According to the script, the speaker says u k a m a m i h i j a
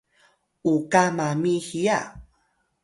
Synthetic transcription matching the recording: u k a m a m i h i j a